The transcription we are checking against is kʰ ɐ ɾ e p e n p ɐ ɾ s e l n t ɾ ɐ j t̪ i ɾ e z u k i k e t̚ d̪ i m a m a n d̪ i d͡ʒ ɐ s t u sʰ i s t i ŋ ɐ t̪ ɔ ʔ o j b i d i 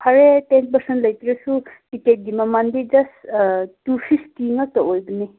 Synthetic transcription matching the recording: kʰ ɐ ɾ e t e n p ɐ ɾ s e n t l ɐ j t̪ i ɾ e s u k i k e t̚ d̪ i m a m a n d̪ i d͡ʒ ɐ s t u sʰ i s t i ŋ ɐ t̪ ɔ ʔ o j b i n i